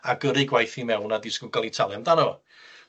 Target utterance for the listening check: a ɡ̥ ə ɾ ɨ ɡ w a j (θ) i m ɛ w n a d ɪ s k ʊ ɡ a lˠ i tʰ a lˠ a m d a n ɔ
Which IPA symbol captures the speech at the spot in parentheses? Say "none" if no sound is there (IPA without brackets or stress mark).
θ